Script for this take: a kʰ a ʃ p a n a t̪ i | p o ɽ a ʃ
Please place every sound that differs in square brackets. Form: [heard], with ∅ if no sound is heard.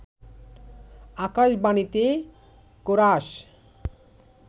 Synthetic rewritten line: a [k] a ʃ [b] a n [i] t̪ [e] | [k] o [ɾ] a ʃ